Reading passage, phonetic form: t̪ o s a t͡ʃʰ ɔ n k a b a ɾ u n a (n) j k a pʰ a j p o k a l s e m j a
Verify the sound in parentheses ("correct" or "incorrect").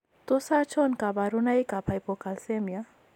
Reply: incorrect